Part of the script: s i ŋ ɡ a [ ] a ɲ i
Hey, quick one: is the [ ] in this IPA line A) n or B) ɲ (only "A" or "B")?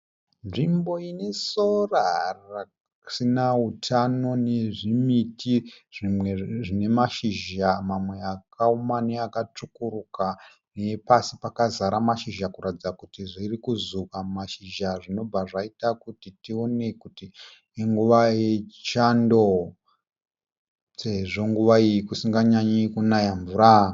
B